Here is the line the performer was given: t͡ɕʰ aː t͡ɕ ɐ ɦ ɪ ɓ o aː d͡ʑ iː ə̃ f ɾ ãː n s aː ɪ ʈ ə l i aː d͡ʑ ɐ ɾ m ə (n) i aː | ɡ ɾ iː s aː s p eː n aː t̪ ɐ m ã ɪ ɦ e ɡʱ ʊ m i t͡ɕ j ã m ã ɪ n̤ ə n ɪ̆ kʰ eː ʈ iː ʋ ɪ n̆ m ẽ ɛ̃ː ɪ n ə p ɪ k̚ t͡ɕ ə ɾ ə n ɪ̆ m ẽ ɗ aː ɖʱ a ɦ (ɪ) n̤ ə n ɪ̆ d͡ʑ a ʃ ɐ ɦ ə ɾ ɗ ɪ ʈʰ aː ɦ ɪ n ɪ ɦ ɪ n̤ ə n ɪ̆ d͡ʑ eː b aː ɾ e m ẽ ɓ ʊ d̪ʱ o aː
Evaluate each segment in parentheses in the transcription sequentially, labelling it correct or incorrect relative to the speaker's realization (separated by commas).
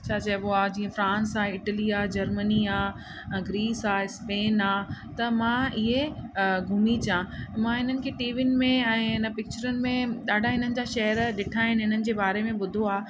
correct, correct